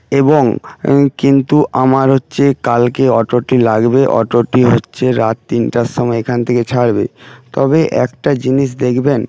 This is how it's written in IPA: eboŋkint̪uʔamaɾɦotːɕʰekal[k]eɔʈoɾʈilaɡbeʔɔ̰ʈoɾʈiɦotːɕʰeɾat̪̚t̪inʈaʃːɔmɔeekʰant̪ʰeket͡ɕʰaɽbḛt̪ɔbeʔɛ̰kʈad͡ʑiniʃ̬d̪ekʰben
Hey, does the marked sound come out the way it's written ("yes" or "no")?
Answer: yes